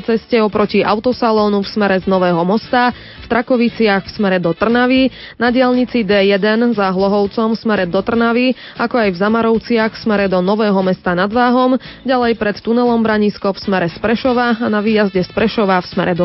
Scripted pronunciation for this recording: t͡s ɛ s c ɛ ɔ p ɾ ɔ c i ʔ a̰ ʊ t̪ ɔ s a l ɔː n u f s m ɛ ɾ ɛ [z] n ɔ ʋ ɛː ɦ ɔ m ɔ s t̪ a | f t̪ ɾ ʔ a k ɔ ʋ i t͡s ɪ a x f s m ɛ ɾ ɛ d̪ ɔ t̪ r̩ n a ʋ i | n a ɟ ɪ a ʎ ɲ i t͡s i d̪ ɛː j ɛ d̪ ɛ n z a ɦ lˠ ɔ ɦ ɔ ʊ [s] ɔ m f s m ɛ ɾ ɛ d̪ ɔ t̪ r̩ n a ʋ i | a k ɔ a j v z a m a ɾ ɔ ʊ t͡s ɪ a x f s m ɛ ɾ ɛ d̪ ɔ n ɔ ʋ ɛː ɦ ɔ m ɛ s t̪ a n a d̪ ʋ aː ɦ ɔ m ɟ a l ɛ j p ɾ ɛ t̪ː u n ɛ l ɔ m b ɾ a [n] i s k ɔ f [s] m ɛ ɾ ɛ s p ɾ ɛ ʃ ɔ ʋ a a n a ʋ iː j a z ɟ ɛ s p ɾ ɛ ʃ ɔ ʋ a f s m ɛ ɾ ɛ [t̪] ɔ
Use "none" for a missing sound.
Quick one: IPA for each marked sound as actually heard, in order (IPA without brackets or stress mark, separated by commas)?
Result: z, t͡s, ɲ, s, d̪